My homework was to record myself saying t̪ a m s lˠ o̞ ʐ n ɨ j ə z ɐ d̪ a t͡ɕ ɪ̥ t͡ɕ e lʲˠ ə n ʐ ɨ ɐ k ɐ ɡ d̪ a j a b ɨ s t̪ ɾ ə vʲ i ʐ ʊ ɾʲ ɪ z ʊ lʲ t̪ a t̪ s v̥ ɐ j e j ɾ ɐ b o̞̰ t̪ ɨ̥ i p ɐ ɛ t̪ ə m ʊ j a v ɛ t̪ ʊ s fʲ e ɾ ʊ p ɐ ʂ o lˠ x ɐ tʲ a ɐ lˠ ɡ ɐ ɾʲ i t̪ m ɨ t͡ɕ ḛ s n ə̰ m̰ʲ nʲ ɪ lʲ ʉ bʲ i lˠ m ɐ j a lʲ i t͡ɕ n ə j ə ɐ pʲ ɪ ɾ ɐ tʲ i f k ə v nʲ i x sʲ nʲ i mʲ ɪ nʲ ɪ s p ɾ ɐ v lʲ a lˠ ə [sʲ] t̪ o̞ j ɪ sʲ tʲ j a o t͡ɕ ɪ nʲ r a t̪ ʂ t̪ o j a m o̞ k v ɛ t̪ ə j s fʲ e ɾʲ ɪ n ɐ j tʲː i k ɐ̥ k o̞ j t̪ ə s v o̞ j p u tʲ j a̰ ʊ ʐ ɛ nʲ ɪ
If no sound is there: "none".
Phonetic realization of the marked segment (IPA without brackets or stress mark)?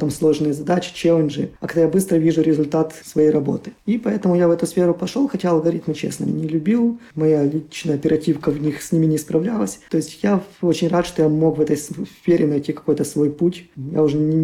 sʲ